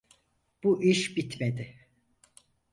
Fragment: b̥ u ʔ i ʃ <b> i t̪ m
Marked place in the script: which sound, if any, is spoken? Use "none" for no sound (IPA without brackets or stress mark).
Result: b